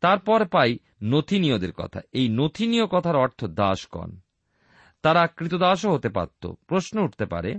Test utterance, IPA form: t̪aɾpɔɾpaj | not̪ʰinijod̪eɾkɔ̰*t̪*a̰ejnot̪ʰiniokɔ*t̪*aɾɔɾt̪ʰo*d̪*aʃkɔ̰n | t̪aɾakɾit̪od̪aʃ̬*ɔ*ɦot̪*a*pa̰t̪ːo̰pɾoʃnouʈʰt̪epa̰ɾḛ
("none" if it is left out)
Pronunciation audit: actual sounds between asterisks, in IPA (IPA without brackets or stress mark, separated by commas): t̪ʰ, t̪ʰ, d̪, o, e